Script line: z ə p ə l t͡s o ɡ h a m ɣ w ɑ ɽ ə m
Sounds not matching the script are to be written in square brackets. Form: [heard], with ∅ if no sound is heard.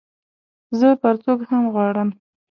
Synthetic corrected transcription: z ə p ə [ɾ] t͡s o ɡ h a m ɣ w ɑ ɽ ə m